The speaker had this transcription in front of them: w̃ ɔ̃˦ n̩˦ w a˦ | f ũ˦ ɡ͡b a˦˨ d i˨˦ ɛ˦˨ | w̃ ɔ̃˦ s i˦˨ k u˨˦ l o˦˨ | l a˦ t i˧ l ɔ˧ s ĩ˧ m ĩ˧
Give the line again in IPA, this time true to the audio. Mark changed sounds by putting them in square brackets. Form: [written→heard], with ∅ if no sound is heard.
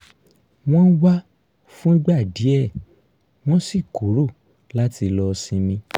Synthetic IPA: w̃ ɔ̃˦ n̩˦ w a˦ | f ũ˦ ɡ͡b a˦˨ d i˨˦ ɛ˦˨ | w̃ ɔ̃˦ s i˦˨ k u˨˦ [l→ɾ] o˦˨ | l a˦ t i˧ l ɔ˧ s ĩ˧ m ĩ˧